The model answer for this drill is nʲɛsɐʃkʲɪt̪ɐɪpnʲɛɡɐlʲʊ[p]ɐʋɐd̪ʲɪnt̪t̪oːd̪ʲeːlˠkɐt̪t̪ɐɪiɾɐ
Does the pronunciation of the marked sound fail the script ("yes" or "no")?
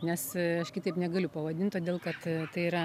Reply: no